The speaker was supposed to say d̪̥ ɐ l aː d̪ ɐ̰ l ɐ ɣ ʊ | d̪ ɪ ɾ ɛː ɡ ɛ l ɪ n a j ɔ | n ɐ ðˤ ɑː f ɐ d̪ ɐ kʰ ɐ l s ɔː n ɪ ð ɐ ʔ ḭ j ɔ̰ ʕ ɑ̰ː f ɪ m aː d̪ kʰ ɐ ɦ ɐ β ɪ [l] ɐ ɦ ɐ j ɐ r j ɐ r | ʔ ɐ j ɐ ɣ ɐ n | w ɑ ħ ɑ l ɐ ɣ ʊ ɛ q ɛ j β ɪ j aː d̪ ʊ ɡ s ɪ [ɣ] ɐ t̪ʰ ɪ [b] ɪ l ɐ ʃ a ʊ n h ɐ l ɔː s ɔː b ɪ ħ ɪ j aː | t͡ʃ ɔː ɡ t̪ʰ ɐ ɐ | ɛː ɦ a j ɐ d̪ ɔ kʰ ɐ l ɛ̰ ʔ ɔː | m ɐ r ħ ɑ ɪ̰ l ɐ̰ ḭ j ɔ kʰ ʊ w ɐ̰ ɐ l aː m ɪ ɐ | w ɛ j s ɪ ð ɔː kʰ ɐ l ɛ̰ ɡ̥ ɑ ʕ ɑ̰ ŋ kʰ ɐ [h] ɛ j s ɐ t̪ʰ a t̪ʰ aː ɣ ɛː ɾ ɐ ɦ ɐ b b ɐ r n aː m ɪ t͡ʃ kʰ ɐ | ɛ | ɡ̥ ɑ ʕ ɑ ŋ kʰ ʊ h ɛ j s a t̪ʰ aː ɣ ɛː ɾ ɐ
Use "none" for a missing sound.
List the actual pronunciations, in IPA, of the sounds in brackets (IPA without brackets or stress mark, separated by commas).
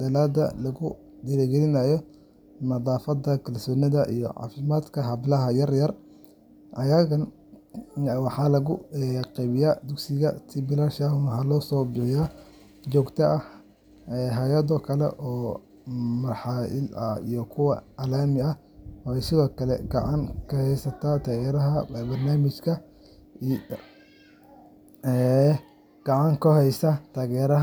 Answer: l, ɣ, b, h